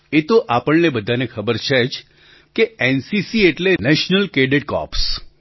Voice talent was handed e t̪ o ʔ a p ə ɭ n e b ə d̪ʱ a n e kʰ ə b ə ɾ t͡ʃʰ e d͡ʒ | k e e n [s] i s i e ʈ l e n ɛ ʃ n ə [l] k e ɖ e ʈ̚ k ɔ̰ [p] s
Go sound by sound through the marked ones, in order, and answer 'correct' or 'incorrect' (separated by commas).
correct, correct, correct